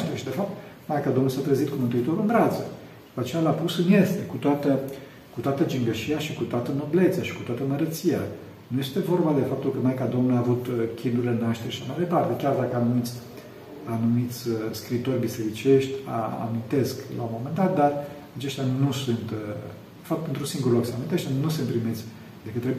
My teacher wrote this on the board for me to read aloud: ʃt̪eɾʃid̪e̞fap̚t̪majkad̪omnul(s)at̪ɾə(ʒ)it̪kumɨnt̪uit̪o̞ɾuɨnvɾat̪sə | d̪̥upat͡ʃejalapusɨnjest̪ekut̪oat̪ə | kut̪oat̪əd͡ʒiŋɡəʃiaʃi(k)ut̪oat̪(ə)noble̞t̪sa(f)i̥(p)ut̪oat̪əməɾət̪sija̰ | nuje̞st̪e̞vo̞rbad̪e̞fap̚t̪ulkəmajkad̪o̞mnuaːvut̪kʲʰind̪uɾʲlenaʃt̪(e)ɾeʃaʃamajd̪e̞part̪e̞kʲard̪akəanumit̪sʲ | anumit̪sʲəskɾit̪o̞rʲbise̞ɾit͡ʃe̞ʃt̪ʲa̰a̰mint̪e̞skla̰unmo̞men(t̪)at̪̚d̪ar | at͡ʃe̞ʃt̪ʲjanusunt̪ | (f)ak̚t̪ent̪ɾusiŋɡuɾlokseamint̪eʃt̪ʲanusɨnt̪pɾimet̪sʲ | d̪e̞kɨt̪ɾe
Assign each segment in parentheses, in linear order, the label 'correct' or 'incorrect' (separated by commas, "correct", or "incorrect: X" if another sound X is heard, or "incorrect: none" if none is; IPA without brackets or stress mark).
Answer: correct, incorrect: z, correct, correct, incorrect: ʃ, incorrect: k, correct, incorrect: d̪, correct